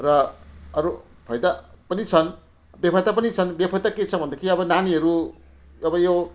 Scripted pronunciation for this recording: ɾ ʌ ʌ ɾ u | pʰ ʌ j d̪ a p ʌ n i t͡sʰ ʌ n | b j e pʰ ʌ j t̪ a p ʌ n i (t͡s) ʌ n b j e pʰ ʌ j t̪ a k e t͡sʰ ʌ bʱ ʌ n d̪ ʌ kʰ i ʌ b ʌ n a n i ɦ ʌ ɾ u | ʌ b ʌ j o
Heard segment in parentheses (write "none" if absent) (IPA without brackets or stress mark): t͡sʰ